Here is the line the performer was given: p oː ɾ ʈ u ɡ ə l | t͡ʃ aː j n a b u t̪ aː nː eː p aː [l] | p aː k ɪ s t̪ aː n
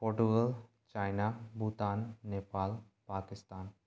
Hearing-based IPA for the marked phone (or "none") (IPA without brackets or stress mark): l